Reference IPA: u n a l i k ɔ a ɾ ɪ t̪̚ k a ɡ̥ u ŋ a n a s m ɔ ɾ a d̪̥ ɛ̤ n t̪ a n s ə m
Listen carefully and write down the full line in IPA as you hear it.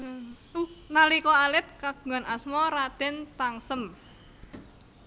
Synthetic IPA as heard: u n a l i k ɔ a l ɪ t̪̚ k a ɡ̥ u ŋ a n a s m ɔ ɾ a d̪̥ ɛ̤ n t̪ a ŋ s ə m